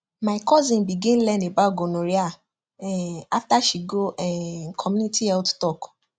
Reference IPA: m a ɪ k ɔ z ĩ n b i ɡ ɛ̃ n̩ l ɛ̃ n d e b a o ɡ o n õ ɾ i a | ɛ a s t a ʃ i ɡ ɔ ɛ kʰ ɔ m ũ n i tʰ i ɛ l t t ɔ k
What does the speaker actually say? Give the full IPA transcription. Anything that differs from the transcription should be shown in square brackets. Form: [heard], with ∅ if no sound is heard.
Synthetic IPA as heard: m a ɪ k ɔ z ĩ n b i ɡ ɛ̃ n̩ l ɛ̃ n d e b a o ɡ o n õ ɾ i a | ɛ a [f] t a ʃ i ɡ [o] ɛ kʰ ɔ m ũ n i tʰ i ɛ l t t ɔ k